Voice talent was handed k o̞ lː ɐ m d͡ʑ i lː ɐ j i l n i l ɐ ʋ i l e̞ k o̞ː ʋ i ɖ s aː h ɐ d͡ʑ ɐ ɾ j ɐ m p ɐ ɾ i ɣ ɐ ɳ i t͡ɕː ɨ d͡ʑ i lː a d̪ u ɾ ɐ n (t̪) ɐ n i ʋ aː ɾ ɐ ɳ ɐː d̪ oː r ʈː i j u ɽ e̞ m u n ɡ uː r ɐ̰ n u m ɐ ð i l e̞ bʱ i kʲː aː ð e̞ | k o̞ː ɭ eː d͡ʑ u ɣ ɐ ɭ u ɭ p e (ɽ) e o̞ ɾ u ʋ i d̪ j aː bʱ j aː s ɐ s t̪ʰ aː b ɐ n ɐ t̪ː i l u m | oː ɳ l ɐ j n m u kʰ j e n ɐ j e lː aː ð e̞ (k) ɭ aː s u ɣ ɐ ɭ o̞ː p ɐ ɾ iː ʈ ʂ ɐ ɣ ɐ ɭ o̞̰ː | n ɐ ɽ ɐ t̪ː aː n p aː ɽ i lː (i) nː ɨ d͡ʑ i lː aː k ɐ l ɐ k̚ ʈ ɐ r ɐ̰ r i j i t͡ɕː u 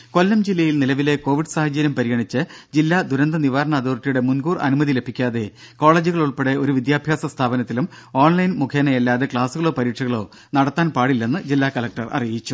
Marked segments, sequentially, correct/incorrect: incorrect: d̪, correct, correct, incorrect: e

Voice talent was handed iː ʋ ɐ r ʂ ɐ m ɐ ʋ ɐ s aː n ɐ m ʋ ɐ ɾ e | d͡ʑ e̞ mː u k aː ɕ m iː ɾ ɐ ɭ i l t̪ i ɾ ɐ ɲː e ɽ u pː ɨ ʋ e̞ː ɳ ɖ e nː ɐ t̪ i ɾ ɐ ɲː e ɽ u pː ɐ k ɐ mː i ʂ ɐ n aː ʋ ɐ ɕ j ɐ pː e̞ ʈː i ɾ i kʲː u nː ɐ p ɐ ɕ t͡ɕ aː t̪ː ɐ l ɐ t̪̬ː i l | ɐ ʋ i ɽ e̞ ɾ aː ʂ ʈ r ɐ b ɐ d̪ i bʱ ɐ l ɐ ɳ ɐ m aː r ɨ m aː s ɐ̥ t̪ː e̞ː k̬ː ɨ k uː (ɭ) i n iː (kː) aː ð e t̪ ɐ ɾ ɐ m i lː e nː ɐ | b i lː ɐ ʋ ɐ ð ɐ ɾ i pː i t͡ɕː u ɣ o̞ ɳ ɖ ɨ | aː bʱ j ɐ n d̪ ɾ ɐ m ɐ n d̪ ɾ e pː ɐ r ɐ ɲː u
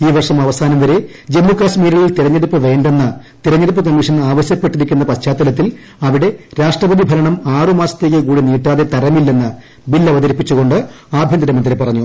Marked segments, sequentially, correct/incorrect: incorrect: ɽ, incorrect: ʈː

